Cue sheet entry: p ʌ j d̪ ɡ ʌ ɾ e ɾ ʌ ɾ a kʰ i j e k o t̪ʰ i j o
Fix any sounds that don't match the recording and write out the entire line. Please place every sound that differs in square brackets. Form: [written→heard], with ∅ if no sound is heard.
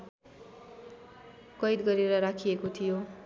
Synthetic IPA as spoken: [p→k] ʌ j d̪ ɡ ʌ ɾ e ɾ ʌ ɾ a kʰ i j e k o t̪ʰ i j o